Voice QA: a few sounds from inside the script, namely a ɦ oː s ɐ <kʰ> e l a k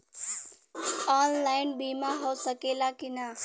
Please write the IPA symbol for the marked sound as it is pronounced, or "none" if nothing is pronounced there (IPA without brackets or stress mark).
k